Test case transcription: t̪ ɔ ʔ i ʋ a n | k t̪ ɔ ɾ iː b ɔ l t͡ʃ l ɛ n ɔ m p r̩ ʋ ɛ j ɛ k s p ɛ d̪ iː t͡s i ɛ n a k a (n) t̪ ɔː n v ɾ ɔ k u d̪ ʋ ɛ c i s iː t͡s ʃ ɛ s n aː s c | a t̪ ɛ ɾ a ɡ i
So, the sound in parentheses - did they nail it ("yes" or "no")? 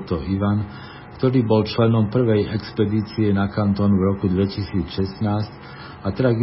yes